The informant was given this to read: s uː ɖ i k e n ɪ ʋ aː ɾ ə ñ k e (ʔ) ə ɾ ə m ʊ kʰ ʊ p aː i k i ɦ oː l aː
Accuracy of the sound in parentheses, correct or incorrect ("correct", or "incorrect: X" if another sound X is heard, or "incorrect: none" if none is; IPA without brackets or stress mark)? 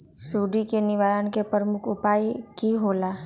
incorrect: p